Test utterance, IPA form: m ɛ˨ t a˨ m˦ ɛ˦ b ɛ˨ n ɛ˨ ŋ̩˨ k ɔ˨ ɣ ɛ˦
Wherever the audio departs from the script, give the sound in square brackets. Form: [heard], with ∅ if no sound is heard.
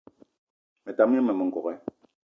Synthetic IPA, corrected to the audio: m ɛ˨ t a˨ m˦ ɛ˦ [m] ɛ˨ [m] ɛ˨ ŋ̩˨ k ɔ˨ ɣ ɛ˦